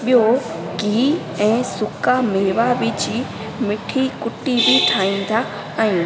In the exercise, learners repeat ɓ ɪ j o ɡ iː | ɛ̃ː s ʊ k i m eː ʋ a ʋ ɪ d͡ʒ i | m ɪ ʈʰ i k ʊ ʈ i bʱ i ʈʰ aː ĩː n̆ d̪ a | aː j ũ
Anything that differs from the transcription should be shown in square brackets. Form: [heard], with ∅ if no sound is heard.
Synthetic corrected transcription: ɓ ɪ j o ɡ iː | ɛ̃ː s ʊ k [a] m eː ʋ a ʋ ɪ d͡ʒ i | m ɪ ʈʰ i k ʊ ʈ i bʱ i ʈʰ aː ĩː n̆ d̪ a | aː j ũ

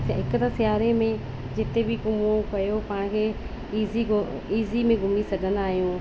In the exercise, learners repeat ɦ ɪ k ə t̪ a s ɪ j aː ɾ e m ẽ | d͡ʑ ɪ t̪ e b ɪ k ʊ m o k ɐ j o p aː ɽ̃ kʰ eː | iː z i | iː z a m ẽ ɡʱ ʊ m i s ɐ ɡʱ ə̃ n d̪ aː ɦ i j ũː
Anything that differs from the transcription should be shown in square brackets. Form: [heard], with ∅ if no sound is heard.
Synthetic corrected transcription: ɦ ɪ k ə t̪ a s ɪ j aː ɾ e m ẽ | d͡ʑ ɪ t̪ e b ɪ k ʊ m o k ɐ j o p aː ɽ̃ kʰ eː | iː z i | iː z [i] m ẽ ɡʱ ʊ m i s ɐ ɡʱ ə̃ n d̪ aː ɦ i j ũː

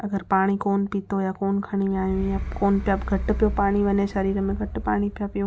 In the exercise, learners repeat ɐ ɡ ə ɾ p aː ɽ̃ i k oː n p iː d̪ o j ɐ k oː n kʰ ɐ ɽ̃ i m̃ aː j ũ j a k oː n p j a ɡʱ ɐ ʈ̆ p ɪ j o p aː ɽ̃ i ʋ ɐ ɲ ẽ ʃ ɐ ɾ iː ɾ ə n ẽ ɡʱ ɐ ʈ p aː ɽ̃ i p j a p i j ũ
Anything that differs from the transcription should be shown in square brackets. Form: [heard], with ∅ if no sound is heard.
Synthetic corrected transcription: ɐ ɡ ə ɾ p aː ɽ̃ i k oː n p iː [t̪] o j [a] k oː n kʰ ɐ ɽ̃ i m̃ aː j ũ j a k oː n p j a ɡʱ ɐ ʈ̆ p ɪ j o p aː ɽ̃ i ʋ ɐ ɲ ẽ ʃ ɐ ɾ iː ɾ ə [m] ẽ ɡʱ ɐ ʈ p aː ɽ̃ i p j a p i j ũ

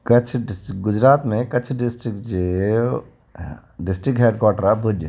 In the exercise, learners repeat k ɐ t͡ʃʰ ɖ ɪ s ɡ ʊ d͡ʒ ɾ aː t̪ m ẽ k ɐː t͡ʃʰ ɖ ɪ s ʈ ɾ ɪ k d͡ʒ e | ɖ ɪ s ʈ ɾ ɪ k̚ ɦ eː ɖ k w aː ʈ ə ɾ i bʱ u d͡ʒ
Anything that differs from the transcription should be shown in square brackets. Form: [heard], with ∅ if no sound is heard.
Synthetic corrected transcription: k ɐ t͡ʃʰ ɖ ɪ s ɡ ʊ d͡ʒ ɾ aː t̪ m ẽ k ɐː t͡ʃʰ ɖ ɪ s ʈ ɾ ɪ k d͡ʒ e | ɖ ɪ s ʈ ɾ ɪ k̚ ɦ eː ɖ k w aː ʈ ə ɾ [a] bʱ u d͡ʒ

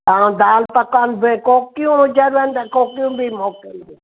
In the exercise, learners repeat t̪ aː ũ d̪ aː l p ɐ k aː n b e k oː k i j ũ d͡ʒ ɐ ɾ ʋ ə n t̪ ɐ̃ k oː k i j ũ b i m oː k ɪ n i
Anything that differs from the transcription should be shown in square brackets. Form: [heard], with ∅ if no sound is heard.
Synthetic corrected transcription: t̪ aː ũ d̪ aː l p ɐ k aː n b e k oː k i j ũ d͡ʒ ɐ ɾ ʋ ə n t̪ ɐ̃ k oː k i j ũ b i m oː k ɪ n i

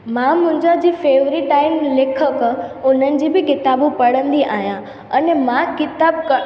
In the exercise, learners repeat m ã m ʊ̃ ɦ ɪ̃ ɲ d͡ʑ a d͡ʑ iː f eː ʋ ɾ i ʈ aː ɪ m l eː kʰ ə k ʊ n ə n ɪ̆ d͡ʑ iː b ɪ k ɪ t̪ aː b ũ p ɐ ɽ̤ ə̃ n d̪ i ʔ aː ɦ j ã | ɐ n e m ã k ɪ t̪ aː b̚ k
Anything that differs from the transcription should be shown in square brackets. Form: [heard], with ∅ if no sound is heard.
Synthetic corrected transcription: m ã m ʊ̃ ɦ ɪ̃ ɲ d͡ʑ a d͡ʑ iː f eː ʋ ɾ i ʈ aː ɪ m l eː kʰ ə k ʊ n ə n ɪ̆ d͡ʑ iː b ɪ k ɪ t̪ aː b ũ p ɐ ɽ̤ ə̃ n d̪ i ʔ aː ɦ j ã | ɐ n e m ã k ɪ t̪ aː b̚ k

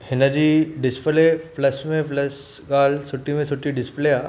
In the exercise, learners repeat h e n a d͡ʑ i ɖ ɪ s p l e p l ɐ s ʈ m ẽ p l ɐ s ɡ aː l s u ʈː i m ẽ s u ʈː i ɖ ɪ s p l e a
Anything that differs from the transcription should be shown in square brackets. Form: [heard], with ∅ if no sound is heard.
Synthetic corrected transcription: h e n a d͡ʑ i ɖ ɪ s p l e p l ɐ s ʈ m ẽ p l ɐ s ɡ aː l s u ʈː i m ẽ s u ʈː i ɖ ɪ s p l e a

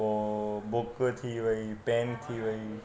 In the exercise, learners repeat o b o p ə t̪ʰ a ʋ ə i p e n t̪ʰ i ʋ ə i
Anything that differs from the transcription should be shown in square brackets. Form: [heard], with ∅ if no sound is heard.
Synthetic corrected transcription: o b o [k] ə t̪ʰ [i] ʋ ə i p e n t̪ʰ i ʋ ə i

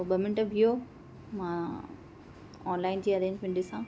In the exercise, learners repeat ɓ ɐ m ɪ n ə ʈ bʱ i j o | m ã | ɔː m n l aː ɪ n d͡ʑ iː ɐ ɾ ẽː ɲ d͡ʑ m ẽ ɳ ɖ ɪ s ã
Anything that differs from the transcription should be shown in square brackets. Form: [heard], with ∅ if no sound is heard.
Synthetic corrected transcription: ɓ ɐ m ɪ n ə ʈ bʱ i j o | m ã | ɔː [∅] n l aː ɪ n d͡ʑ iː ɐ ɾ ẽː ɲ d͡ʑ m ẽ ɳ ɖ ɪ s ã

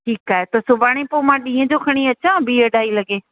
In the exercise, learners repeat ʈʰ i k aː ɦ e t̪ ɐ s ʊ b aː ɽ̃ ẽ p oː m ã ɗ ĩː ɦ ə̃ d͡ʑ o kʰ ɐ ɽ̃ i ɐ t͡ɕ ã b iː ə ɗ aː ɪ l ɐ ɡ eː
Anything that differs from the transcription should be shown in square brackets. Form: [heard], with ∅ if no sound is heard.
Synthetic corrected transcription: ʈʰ [iː] k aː ɦ e t̪ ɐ s ʊ b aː ɽ̃ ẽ p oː m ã ɗ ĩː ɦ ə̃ d͡ʑ o kʰ ɐ ɽ̃ i ɐ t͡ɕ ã b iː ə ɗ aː [i] l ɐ ɡ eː

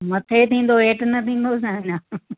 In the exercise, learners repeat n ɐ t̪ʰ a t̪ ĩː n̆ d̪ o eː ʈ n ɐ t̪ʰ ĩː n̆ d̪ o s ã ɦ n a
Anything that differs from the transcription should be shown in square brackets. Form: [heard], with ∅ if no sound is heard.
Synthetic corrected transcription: [m] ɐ t̪ʰ [e] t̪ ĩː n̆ d̪ o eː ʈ n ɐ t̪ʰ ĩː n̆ d̪ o s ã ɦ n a

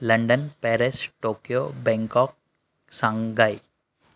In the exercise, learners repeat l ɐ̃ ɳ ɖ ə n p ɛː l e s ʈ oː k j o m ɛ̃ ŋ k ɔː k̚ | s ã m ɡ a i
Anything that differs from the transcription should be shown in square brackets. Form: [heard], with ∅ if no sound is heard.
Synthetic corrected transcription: l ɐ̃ ɳ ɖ ə n p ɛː [ɾ] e s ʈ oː k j o [b] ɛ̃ ŋ k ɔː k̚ | s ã [ŋ] ɡ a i

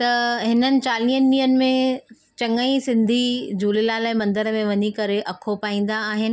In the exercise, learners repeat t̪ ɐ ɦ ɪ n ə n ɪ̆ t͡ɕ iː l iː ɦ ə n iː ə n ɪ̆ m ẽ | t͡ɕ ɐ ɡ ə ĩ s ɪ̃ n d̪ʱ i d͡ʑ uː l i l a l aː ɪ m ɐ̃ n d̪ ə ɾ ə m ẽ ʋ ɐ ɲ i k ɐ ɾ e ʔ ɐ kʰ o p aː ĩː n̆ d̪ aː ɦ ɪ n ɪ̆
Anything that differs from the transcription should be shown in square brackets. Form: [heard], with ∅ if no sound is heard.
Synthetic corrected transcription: t̪ ɐ ɦ ɪ n ə n ɪ̆ t͡ɕ [aː] l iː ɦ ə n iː ə n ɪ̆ m ẽ | t͡ɕ ɐ [ŋ] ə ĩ s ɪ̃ n d̪ʱ i d͡ʑ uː l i l a l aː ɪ m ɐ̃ n d̪ ə ɾ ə m ẽ ʋ ɐ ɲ i k ɐ ɾ e ʔ ɐ kʰ o p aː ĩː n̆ d̪ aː ɦ ɪ n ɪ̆

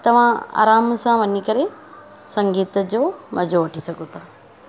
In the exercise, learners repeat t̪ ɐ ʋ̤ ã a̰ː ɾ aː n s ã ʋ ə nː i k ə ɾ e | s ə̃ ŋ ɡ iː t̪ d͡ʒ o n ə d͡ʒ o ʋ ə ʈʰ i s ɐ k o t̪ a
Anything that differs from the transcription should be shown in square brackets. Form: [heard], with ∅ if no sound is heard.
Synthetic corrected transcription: t̪ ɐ ʋ̤ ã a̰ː ɾ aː [m] s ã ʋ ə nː i k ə ɾ e | s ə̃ ŋ ɡ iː t̪ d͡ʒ o [m] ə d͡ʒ o ʋ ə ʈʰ i s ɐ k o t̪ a

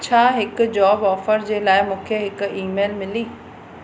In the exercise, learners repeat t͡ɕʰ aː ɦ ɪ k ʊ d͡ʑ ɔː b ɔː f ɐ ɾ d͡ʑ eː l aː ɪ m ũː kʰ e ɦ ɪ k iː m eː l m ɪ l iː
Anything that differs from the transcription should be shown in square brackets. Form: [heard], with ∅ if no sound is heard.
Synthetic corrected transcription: t͡ɕʰ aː ɦ ɪ k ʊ d͡ʑ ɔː b ɔː f [ə] ɾ d͡ʑ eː l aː ɪ m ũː kʰ e ɦ ɪ k iː m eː l m ɪ l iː

